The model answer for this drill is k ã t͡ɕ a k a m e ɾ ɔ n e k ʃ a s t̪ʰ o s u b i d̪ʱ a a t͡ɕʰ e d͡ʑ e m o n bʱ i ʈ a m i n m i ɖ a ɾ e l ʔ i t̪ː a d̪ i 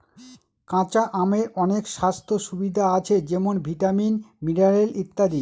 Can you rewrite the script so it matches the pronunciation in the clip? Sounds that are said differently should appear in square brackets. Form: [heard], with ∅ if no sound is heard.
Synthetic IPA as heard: k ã t͡ɕ a [ʔ] a m e ɾ ɔ n e k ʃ a s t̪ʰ o [ʃ] u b i d̪ʱ a a t͡ɕʰ e d͡ʑ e m o n bʱ i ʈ a m i n m i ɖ a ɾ e l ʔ i t̪ː a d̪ i